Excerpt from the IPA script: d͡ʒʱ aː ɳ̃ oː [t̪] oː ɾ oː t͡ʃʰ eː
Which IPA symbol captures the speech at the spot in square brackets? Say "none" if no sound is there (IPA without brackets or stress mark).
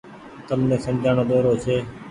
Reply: d̪